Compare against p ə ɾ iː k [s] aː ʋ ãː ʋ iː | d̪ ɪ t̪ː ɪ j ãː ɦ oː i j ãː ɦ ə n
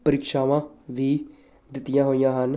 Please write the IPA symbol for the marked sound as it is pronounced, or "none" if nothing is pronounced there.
ʃ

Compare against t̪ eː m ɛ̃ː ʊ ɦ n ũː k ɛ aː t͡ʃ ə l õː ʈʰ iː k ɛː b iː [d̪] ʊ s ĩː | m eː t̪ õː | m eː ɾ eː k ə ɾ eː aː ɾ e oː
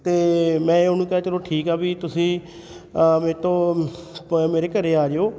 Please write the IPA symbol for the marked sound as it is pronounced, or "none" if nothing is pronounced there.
t̪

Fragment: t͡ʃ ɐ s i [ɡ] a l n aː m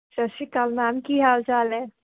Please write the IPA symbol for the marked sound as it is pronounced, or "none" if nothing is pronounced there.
k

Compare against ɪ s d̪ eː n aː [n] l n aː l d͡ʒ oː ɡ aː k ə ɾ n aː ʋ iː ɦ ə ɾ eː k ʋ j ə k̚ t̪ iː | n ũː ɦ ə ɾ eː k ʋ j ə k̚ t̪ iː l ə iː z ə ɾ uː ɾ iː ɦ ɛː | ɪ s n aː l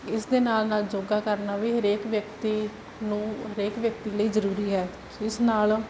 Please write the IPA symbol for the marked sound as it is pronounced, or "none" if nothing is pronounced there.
none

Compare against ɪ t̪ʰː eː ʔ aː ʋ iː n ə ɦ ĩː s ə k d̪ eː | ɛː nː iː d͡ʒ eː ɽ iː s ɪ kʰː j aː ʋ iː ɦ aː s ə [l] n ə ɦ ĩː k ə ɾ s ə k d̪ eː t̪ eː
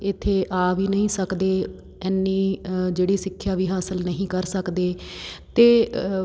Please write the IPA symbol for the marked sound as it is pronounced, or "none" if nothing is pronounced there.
l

